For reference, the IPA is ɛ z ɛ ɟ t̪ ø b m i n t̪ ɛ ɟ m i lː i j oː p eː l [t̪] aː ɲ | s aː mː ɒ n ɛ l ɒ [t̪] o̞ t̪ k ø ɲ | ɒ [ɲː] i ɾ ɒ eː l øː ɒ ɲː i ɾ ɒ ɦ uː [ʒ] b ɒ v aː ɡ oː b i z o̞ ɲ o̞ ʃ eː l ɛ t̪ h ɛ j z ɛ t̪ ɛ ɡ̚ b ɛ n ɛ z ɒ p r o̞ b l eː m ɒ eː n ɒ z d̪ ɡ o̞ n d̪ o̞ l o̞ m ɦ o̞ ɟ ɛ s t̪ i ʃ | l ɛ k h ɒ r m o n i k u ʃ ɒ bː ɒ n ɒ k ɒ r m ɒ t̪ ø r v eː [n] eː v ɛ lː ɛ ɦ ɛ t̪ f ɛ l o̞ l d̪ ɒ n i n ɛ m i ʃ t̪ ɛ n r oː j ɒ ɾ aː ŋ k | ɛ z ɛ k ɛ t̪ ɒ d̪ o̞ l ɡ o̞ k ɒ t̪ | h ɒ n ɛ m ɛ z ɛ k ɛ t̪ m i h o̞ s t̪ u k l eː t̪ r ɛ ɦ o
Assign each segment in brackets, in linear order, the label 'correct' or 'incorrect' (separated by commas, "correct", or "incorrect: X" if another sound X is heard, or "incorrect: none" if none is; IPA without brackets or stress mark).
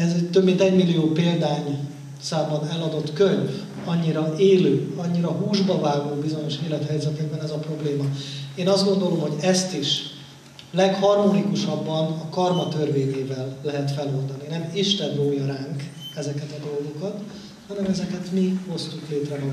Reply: incorrect: d̪, incorrect: d̪, correct, correct, incorrect: ɲ